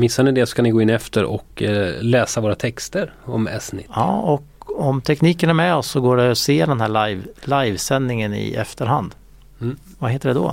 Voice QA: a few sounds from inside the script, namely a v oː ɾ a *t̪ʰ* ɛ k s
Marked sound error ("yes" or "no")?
no